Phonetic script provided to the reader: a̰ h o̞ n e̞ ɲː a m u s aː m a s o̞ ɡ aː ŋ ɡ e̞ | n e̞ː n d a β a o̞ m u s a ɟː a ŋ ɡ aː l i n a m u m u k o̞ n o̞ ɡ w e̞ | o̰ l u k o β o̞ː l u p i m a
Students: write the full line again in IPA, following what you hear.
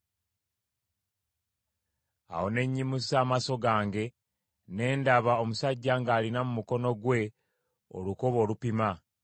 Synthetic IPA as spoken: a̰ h o̞ n e̞ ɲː i m u s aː m a s o̞ ɡ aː ŋ ɡ e̞ | n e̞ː n d a β a o̞ m u s a ɟː a ŋ ɡ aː l i n a m u m u k o̞ n o̞ ɡ w e̞ | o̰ l u k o β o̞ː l u p i m a